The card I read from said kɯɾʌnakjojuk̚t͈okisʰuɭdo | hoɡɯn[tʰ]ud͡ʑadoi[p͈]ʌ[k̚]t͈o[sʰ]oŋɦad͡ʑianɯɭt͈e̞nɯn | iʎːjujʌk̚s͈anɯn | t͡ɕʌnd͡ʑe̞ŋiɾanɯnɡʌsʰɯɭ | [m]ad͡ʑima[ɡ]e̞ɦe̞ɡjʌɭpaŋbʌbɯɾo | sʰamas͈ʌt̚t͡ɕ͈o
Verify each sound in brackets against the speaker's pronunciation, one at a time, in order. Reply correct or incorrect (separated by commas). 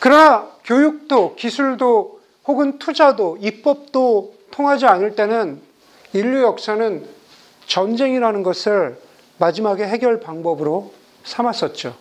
correct, correct, incorrect, incorrect, correct, correct